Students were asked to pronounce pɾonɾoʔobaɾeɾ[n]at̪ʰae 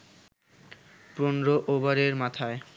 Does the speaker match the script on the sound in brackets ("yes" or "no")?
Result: no